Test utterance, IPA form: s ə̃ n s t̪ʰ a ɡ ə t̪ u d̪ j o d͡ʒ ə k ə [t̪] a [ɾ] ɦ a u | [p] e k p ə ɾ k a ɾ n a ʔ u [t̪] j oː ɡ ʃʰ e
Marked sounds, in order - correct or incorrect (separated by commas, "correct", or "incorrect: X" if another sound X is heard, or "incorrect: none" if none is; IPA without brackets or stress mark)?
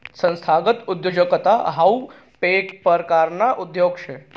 correct, incorrect: none, correct, incorrect: d̪